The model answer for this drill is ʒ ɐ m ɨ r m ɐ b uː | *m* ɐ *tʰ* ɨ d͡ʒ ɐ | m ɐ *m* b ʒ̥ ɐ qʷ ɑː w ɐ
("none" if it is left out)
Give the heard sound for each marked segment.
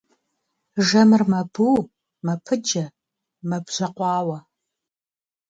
m, pʰ, none

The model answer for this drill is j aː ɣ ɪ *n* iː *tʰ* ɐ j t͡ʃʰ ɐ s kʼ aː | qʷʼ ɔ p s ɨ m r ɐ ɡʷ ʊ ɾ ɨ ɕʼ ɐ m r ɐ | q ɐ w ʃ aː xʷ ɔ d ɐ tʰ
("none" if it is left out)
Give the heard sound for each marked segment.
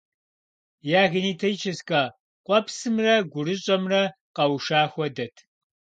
n, tʰ

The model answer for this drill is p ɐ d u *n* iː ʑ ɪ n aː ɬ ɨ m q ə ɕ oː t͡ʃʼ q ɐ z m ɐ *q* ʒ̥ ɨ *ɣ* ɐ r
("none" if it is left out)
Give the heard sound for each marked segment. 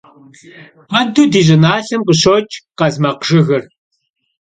d, q, ɣ

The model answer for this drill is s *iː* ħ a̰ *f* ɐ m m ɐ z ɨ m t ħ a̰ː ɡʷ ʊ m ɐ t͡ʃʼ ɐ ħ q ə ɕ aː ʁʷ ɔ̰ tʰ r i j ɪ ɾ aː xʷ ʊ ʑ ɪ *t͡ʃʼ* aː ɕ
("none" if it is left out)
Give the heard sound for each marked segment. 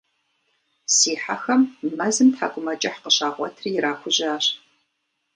iː, x, none

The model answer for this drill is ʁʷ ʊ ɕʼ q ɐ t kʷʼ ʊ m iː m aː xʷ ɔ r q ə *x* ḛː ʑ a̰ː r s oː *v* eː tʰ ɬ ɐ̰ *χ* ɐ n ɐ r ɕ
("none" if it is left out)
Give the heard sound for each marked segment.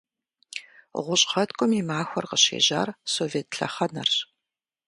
ɕ, v, χ

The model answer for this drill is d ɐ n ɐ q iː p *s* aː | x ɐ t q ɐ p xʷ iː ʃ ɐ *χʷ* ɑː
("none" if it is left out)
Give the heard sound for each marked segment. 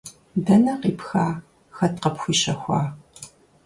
x, xʷ

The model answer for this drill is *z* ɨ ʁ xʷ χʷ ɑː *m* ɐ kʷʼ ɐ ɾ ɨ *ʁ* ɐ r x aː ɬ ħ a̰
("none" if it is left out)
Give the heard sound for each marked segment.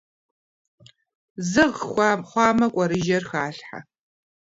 z, m, ʒ

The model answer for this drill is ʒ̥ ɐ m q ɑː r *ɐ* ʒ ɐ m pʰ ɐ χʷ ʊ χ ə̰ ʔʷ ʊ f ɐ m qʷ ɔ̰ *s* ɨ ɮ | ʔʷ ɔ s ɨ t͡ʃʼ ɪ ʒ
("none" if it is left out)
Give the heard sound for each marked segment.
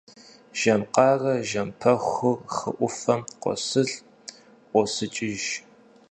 ɐ, s

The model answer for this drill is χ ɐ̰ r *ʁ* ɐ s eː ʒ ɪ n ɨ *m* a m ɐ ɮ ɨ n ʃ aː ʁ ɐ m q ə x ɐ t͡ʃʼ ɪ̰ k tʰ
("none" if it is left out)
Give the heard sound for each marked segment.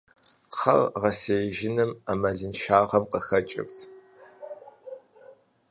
ʁ, m

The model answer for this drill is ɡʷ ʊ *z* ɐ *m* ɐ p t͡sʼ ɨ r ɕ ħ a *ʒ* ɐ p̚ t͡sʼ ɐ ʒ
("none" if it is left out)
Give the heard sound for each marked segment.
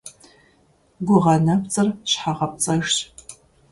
ʁ, n, ʁ

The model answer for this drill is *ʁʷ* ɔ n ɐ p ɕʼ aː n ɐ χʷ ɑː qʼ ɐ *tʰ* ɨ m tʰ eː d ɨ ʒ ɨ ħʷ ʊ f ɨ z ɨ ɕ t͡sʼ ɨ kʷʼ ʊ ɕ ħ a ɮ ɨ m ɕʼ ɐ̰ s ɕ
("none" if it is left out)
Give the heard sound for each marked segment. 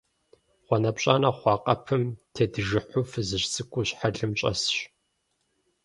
χʷ, pʰ

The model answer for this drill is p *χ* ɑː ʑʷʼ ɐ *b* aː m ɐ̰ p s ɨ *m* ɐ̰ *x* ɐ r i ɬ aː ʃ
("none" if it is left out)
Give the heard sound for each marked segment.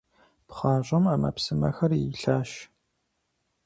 χ, m, m, x

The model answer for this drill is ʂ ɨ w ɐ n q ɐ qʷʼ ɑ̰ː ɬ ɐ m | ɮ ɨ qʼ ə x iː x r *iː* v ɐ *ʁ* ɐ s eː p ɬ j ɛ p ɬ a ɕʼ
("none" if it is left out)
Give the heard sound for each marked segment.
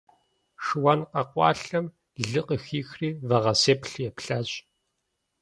iː, ʁ

